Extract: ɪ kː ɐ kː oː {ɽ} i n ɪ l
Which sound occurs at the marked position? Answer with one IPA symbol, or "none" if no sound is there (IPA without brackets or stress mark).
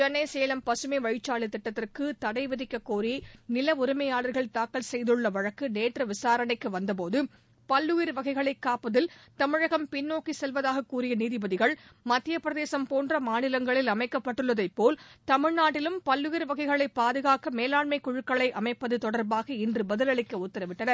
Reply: ɾ